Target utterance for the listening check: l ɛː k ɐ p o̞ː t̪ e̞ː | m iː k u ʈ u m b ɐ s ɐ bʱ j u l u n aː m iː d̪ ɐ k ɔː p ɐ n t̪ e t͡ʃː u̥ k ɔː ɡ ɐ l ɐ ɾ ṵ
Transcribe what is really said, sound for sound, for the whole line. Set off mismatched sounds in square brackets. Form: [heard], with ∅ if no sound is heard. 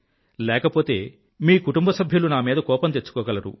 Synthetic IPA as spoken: l ɛː k ɐ p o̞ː t̪ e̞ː | m iː k u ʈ u m b ɐ s ɐ bʱ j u l u n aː m iː d̪ ɐ k ɔː p ɐ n t̪ e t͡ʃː u̥ k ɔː ɡ ɐ l ɐ ɾ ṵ